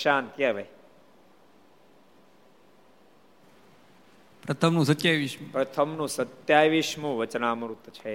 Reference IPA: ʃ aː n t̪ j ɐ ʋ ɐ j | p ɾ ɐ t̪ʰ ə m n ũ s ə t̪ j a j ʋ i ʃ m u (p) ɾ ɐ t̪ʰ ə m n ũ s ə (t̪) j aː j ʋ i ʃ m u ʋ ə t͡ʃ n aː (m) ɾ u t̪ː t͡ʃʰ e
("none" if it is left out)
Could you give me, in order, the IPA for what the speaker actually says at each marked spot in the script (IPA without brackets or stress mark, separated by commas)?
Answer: p, t̪, m